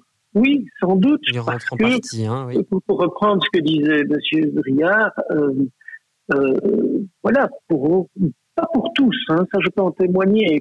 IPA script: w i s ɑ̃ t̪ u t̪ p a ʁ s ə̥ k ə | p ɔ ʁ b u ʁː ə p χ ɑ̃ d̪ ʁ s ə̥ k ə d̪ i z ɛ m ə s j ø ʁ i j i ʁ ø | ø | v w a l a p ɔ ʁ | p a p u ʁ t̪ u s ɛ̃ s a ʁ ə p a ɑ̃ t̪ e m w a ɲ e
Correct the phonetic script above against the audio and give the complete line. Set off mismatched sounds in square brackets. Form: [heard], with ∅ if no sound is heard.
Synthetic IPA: w i s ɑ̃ [d̪] u t̪ p a ʁ s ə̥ k ə | p [u] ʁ [p] u ʁː ə p χ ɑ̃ d̪ ʁ s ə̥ k ə d̪ i z ɛ m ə s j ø ʁ i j [a] ʁ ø | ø | v w a l a p [u] ʁ | p a p u ʁ t̪ u s ɛ̃ s a [ʒ] ə p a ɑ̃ t̪ e m w a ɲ e